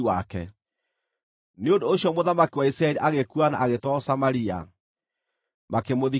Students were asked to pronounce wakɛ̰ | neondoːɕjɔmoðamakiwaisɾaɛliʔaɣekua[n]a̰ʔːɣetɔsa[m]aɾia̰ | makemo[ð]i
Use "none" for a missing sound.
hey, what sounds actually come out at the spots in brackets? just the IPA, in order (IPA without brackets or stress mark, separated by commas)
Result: n, m, ð